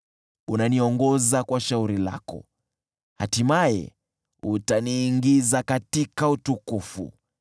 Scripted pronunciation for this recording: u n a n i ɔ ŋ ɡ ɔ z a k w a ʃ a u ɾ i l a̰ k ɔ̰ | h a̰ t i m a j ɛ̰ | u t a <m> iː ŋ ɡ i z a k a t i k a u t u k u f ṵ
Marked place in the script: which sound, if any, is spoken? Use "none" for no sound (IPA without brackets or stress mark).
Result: n